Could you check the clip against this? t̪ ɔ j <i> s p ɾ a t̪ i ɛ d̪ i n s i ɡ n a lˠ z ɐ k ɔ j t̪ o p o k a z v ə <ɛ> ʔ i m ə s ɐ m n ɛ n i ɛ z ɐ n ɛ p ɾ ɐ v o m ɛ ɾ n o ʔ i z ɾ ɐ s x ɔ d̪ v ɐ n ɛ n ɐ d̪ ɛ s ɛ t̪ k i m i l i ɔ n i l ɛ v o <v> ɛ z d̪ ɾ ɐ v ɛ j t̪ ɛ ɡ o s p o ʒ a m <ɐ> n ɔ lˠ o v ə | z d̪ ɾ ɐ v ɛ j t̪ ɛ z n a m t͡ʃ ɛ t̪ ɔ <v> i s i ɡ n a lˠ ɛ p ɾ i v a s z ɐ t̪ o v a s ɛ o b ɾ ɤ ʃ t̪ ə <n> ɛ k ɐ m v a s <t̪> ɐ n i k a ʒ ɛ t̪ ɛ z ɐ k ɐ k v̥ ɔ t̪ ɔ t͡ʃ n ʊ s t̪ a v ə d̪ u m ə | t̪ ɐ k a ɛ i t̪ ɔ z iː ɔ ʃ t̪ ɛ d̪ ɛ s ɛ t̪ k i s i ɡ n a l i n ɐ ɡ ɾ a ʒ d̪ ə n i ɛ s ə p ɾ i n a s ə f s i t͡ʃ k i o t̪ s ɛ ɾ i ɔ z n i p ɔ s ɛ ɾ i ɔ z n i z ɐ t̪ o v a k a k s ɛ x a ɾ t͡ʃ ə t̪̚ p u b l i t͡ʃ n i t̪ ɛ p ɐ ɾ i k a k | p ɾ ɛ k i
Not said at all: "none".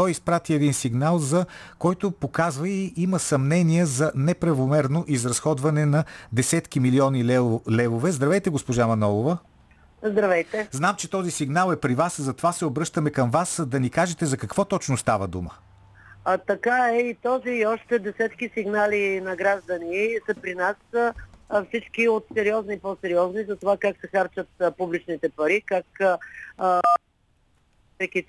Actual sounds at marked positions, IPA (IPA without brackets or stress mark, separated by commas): i, i, v, ɐ, z, m, d̪